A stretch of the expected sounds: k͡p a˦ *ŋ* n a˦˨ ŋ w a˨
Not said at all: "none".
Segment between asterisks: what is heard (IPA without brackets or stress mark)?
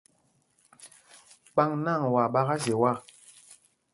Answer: ŋ